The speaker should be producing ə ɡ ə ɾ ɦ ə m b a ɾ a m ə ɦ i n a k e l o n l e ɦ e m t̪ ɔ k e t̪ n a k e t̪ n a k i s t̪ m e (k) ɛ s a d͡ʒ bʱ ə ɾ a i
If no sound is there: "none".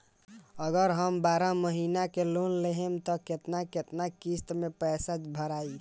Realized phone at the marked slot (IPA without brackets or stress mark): p